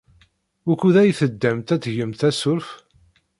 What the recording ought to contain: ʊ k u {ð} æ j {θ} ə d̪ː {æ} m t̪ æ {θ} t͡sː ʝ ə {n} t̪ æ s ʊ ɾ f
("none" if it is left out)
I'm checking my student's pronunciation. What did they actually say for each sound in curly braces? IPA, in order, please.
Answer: ð, θ, æ, none, m

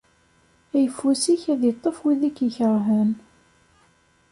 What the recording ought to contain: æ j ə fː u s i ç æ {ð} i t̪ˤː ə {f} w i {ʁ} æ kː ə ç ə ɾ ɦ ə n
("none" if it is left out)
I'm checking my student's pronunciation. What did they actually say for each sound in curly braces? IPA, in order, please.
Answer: ð, f, ð

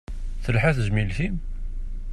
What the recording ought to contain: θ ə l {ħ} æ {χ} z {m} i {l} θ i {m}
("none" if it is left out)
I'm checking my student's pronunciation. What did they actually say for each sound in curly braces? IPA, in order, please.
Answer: ħ, θ, m, l, m

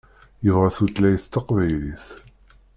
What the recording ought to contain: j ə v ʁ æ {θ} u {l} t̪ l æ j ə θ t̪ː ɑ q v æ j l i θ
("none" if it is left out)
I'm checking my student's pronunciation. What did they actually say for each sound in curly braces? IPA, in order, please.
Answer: θ, none

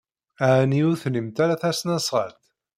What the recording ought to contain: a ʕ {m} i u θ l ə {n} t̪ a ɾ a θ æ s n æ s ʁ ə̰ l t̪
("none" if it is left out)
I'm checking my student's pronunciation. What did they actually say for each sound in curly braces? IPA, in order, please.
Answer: n, m

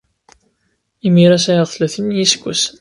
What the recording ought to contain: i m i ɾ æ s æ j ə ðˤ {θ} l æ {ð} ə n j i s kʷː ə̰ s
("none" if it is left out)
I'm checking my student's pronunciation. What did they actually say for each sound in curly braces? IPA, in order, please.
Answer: θ, θ

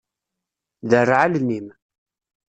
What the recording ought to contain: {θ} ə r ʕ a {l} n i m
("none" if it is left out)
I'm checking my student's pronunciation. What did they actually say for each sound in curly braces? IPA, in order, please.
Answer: ð, l

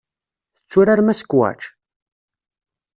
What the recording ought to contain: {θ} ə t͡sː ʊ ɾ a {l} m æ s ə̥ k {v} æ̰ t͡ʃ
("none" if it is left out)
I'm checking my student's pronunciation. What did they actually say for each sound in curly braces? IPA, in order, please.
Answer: θ, ɾ, w

